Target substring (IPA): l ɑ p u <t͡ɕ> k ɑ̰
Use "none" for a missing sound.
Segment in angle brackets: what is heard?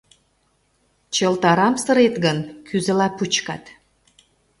t͡ɕ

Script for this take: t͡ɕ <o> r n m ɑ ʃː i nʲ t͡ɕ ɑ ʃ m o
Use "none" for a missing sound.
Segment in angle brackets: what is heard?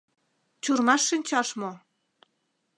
u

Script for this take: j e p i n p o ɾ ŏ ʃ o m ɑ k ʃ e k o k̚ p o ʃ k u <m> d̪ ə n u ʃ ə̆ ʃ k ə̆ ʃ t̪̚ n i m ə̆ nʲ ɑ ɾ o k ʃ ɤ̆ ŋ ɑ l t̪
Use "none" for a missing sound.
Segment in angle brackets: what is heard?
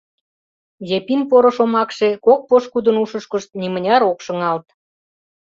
none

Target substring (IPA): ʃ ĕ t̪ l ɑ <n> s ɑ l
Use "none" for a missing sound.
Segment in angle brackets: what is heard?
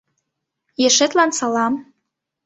n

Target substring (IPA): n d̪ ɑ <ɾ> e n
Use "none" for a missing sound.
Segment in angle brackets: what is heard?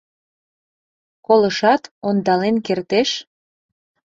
l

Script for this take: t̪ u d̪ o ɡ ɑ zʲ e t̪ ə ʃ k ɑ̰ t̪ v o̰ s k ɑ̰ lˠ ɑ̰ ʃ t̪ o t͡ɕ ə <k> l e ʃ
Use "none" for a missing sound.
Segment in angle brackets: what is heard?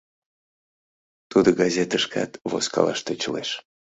none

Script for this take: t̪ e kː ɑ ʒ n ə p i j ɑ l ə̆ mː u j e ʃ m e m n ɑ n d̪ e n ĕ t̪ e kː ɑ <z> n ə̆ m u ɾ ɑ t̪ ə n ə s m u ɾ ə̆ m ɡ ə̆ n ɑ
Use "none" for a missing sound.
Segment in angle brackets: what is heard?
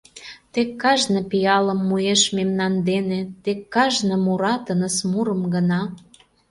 ʒ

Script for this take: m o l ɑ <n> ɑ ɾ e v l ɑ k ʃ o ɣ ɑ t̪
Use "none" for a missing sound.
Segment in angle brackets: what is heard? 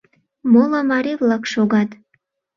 m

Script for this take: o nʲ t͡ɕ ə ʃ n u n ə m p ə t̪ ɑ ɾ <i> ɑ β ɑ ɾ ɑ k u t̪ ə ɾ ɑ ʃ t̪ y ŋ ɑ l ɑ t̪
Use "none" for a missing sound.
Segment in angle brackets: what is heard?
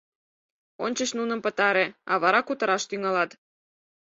e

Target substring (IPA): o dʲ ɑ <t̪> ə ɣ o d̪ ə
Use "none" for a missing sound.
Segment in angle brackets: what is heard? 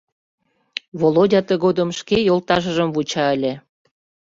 t̪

